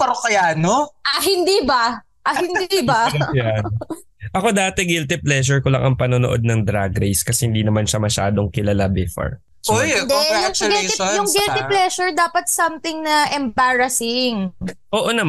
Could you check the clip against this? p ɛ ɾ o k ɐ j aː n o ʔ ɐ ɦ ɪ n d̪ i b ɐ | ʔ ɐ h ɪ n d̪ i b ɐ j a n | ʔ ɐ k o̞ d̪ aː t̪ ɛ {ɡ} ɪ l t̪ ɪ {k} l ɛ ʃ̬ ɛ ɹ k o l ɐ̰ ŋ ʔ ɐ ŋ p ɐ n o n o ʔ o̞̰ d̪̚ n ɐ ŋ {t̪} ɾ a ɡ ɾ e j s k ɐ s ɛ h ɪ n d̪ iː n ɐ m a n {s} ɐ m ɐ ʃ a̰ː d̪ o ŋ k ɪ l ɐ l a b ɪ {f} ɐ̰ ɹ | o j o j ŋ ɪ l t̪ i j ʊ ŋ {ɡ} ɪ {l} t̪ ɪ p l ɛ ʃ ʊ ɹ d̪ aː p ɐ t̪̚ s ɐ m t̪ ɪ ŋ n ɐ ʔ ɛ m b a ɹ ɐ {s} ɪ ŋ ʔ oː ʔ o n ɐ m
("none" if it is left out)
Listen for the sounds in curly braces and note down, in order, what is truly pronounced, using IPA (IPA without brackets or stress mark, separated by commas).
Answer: ɡ, p, d̪, ʃ, f, ɡ, l, s